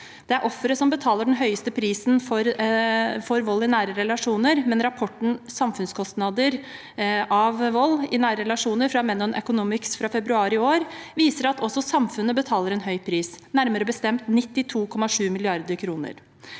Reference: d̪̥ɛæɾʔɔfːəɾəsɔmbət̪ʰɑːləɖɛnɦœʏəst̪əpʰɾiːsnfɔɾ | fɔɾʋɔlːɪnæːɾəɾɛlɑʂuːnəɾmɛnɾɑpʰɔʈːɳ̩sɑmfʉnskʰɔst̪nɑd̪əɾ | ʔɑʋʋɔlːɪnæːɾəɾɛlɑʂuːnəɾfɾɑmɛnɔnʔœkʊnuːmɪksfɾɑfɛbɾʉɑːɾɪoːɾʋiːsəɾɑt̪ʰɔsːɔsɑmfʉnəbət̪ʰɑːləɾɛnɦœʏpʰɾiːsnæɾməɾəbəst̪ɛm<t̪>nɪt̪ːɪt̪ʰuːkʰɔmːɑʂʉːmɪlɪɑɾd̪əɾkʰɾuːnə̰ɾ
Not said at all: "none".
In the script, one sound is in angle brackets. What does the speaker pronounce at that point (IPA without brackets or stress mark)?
t̪